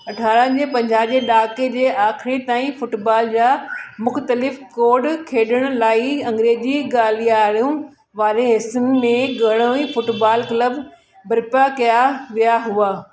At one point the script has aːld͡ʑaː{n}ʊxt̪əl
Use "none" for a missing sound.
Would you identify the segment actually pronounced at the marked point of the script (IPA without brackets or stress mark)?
m